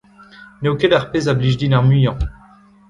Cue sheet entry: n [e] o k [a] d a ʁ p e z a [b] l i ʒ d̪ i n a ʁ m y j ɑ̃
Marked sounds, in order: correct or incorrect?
correct, incorrect: e, correct

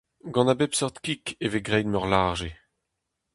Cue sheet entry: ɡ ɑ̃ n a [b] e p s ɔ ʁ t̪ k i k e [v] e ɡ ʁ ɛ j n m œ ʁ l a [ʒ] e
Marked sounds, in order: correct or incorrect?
correct, correct, correct

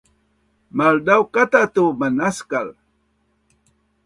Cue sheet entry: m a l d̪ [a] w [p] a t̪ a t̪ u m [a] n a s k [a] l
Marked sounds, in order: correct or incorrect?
correct, incorrect: k, correct, correct

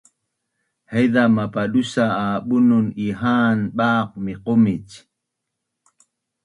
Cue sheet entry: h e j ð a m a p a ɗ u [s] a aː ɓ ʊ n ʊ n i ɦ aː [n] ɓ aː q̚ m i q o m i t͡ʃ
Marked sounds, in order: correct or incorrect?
correct, correct

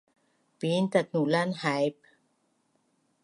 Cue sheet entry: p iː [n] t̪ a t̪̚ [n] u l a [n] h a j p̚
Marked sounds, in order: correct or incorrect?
correct, correct, correct

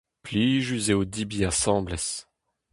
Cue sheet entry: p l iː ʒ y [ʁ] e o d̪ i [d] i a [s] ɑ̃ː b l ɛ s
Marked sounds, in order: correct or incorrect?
incorrect: z, incorrect: b, correct

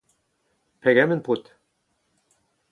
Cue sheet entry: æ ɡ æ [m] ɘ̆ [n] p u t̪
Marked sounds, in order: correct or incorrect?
correct, correct

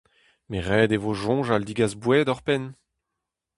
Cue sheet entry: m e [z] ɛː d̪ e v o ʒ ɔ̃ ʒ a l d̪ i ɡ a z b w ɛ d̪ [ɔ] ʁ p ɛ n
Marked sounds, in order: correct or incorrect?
incorrect: ʁ, correct

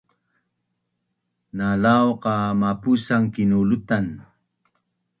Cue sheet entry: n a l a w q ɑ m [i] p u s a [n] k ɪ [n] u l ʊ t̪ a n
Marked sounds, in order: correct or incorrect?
incorrect: a, incorrect: ŋ, correct

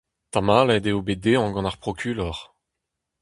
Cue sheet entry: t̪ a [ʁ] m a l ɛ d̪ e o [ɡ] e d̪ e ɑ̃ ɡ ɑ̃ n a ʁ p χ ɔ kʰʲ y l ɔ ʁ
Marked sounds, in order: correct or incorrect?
incorrect: none, incorrect: b

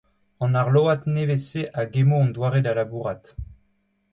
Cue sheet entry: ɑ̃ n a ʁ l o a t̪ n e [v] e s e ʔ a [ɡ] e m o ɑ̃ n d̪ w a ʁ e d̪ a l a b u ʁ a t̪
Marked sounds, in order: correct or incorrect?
correct, correct

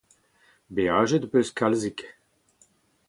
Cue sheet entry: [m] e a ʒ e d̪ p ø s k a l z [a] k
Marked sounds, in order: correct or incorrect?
incorrect: b, incorrect: i

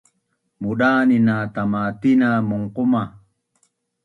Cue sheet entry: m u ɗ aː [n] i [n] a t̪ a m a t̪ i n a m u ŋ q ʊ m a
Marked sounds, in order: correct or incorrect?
correct, correct

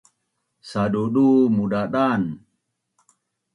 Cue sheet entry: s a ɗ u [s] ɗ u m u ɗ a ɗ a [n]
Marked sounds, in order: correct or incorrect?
incorrect: none, correct

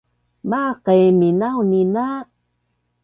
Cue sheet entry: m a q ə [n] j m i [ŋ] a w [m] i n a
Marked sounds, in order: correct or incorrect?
incorrect: none, incorrect: n, incorrect: n

